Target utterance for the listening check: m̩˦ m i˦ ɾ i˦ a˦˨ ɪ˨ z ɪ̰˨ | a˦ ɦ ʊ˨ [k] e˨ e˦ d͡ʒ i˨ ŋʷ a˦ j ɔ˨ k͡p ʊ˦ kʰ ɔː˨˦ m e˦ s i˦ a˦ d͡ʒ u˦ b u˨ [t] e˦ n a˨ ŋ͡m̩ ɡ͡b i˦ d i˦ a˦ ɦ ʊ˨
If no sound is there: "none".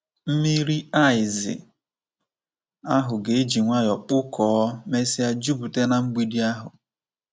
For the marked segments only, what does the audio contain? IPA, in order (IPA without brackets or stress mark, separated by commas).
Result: ɡ, t